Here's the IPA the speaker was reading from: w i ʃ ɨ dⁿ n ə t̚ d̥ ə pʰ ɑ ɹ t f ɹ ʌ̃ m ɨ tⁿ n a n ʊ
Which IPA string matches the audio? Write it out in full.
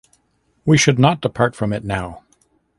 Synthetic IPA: w i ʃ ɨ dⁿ n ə t̚ d̥ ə pʰ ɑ ɹ t f ɹ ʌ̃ m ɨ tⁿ n a ʊ